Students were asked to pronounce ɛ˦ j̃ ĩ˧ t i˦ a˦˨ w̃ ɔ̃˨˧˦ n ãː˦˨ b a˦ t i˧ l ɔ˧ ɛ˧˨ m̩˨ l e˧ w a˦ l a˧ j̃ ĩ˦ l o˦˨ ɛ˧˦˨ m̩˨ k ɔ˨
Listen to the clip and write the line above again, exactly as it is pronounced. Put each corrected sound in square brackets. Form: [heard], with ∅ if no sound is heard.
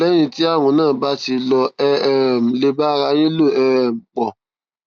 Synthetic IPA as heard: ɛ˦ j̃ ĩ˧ t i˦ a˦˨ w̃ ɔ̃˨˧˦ n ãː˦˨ b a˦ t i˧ l ɔ˧ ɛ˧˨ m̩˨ l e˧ [b] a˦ [ɾ] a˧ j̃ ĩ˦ l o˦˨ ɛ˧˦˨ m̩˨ [k͡p] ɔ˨